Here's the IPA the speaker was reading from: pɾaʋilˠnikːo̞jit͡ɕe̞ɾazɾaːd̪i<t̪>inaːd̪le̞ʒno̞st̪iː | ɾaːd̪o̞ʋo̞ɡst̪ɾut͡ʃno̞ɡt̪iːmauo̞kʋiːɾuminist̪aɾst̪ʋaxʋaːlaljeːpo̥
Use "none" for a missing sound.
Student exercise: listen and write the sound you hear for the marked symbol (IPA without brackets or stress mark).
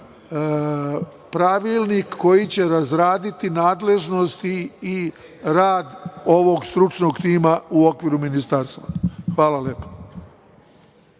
t̪